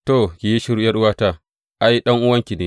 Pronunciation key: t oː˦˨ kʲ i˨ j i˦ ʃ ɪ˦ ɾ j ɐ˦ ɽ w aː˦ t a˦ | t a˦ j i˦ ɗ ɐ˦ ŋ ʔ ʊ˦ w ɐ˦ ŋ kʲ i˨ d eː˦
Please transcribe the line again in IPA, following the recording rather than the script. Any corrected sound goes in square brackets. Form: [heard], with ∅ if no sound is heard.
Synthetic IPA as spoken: t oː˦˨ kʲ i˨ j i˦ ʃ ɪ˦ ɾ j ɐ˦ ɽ w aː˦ t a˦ | [ʔ] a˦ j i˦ ɗ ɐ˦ ŋ ʔ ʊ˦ w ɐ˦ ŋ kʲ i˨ [n] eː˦